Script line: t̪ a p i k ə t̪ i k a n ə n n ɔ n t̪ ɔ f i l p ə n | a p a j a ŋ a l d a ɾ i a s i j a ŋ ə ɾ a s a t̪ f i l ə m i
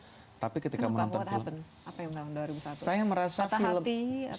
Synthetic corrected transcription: t̪ a p i k ə t̪ i k a m ə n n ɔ n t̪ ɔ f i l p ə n | a p a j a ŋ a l d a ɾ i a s a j a m ə ɾ a s a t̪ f i l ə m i